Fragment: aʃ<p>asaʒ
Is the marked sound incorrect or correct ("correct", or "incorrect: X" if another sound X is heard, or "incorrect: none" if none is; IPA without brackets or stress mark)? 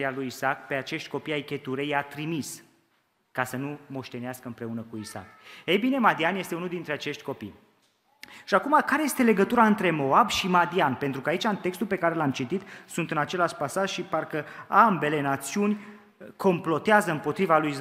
correct